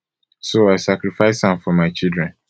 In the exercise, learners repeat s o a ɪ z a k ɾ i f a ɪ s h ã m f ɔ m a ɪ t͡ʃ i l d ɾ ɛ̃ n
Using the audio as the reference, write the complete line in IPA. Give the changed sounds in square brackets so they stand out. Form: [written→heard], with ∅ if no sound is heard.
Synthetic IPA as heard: s o a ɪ [z→s] a k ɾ i f a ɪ s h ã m f ɔ m a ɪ t͡ʃ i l d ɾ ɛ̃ n